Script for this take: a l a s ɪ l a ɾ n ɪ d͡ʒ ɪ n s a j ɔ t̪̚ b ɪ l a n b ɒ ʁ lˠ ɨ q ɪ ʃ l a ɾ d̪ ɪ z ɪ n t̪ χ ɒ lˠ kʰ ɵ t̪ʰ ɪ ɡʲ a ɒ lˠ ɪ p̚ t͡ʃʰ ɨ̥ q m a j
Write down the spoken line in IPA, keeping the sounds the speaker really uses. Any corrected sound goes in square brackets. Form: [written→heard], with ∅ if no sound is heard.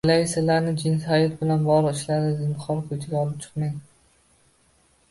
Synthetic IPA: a l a s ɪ l a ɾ n ɪ d͡ʒ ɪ n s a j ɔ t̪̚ b ɪ l a n b ɒ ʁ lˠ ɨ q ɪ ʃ l a ɾ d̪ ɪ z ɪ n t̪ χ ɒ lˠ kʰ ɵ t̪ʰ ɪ ɡʲ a ɒ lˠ ɪ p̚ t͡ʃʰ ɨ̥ q m a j